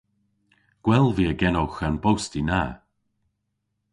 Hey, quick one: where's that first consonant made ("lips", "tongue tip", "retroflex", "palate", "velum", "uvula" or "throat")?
velum